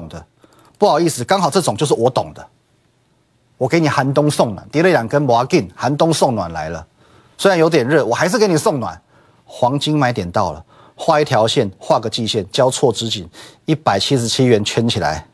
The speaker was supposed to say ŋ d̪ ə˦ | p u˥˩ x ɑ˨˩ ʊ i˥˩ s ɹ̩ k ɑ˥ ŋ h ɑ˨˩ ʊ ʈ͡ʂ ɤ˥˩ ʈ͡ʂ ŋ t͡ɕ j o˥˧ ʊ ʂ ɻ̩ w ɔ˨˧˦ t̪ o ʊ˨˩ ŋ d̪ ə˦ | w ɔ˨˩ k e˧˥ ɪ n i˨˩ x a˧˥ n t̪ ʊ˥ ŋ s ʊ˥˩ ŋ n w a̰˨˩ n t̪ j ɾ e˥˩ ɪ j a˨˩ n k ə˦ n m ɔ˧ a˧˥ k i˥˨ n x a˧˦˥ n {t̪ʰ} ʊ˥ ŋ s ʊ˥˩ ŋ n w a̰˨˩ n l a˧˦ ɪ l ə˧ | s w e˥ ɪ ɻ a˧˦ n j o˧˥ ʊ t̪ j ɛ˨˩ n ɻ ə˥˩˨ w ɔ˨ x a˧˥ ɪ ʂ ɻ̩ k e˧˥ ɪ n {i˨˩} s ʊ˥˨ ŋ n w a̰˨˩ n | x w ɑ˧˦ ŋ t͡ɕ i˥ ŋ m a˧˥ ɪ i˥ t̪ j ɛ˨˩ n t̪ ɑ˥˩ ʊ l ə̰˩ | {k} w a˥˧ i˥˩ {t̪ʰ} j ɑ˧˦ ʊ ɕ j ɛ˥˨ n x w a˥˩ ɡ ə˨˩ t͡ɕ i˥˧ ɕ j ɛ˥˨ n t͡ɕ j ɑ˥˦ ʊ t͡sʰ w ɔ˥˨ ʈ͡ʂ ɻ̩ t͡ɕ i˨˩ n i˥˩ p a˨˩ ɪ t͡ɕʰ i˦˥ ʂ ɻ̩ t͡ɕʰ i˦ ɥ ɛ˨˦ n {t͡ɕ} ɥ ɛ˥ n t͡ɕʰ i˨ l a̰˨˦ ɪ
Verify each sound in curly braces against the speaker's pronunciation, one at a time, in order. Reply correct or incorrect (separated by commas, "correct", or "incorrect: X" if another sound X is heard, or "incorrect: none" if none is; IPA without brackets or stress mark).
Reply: incorrect: t̪, correct, incorrect: x, correct, incorrect: t͡ɕʰ